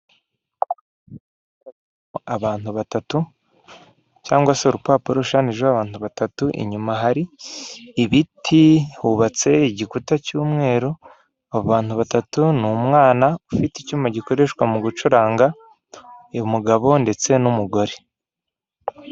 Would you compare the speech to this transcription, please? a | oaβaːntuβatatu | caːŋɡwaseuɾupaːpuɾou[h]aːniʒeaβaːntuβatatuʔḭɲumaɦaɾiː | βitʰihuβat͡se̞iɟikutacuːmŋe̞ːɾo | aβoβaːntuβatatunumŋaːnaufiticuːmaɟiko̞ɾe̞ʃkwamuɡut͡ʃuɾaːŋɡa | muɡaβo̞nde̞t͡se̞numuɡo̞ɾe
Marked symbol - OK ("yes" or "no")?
no